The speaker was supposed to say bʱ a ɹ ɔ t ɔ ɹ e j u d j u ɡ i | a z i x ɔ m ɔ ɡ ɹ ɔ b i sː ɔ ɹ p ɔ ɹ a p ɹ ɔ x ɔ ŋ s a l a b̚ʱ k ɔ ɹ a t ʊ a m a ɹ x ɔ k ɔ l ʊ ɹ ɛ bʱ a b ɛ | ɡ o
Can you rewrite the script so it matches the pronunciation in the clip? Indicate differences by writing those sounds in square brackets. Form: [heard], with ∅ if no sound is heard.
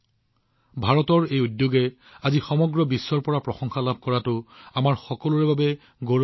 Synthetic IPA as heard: bʱ a ɹ ɔ t ɔ ɹ e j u d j [o] ɡ [ɛ] | a z i x ɔ m ɔ ɡ ɹ ɔ b i sː ɔ ɹ p ɔ ɹ a p ɹ ɔ x ɔ ŋ [x] a l a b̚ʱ k ɔ ɹ a t ʊ a m a ɹ x ɔ k ɔ l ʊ ɹ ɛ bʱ a b ɛ | ɡ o